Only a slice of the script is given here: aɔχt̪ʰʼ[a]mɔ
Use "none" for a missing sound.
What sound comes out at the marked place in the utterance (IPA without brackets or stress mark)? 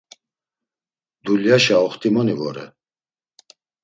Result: i